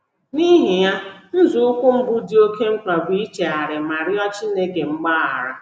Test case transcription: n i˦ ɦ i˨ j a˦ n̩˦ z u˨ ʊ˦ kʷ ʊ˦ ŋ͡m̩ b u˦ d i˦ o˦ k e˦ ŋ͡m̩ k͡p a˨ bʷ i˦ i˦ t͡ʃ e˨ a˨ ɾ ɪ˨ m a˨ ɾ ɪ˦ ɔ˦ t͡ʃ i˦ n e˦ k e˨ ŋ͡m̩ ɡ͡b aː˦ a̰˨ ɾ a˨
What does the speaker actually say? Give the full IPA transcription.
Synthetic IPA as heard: n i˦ ɦ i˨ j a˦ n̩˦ z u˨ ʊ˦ kʷ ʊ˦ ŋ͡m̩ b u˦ d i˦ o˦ k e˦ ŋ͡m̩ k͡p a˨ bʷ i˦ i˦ t͡ʃ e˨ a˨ ɾ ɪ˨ m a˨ ɾ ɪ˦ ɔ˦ t͡ʃ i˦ n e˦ k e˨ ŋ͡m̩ ɡ͡b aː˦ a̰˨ ɾ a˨